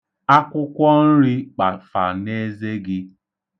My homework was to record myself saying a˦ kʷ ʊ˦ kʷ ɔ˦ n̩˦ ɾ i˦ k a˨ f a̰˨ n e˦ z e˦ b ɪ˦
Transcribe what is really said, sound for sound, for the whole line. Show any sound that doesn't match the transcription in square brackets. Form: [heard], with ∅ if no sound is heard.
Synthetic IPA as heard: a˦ kʷ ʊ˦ kʷ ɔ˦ n̩˦ ɾ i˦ [k͡p] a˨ f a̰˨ n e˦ z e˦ [ɡ] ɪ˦